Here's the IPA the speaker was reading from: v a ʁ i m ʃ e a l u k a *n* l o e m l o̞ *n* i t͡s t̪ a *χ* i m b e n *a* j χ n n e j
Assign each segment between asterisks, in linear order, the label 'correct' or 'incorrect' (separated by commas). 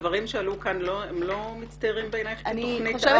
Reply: correct, incorrect, incorrect, correct